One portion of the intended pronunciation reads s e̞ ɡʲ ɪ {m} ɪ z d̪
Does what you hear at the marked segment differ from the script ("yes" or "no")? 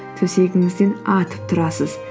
yes